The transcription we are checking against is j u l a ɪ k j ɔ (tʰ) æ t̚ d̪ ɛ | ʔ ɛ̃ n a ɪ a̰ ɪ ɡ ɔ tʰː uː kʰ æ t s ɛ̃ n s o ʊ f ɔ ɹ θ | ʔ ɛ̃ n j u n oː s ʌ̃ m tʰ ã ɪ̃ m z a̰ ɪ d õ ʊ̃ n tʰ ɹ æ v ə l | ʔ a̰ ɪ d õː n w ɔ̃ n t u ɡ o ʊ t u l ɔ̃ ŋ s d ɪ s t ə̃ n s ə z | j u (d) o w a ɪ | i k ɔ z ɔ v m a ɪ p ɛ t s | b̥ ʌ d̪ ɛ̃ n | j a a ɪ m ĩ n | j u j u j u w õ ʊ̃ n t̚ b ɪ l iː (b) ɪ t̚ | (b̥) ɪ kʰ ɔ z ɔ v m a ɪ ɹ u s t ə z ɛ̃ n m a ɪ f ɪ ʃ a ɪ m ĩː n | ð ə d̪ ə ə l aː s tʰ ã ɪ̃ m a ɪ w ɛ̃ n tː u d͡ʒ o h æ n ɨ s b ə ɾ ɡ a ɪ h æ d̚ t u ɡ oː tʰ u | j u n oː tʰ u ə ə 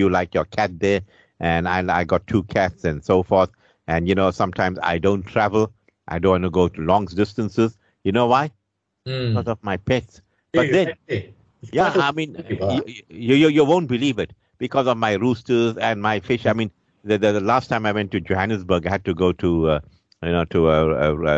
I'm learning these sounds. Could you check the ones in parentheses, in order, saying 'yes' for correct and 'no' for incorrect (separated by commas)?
no, no, no, yes